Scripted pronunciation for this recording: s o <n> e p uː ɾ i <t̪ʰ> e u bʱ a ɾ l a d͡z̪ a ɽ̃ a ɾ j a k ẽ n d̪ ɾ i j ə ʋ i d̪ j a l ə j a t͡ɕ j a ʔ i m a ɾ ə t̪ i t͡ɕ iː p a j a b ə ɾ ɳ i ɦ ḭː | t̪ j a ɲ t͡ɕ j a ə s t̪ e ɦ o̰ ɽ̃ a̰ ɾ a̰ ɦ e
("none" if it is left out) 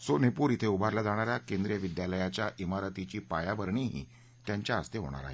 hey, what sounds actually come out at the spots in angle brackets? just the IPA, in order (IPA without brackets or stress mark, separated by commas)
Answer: n, t̪ʰ